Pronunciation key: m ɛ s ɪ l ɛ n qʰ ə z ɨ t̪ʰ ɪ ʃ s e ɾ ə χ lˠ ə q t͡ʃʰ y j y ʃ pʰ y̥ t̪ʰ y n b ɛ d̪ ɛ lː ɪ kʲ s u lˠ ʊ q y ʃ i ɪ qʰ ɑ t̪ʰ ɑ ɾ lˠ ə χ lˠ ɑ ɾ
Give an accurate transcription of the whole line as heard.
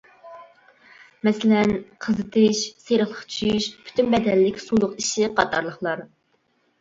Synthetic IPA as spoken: m ɛ s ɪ l ɛ n qʰ ə z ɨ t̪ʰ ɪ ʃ s e ɾ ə χ lˠ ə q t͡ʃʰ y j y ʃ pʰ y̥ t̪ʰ y n b ɛ d̪ ɛ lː ɪ kʲ s u lˠ ʊ q i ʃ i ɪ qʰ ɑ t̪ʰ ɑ ɾ lˠ ə χ lˠ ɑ ɾ